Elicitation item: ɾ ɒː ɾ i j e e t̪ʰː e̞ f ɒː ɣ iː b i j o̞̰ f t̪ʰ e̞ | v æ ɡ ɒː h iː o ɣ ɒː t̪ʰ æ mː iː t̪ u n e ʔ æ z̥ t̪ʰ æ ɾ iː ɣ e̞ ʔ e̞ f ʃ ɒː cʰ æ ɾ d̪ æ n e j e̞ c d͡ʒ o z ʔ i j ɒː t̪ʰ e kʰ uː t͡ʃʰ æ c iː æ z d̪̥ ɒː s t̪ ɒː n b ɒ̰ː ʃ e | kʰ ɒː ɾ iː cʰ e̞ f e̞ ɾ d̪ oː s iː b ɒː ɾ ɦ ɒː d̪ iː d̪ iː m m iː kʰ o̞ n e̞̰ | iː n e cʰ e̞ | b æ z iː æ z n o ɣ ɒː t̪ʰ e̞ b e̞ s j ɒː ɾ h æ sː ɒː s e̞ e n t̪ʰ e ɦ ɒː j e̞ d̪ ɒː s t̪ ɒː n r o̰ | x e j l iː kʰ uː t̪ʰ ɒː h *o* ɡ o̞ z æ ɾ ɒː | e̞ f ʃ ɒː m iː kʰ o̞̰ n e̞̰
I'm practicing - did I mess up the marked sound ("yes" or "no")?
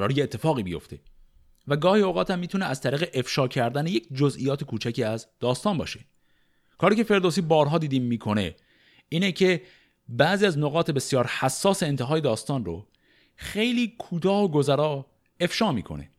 no